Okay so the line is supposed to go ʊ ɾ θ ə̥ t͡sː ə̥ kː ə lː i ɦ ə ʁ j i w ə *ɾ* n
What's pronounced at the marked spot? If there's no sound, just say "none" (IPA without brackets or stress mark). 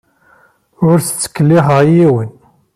none